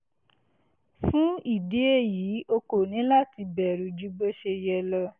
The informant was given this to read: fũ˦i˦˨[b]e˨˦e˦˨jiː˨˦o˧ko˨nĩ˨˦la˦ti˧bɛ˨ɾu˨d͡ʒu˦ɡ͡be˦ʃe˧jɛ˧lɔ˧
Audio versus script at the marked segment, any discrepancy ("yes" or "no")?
yes